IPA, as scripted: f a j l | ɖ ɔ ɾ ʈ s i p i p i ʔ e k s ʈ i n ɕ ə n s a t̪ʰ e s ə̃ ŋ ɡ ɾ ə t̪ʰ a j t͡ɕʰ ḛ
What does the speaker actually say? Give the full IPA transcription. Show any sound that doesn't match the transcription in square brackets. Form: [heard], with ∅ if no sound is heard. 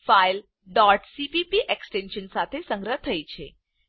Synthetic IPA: f a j l | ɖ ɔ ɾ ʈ s i p i p i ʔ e k s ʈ [e] n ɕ ə n s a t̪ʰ e s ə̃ ŋ ɡ ɾ ə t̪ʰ [ə] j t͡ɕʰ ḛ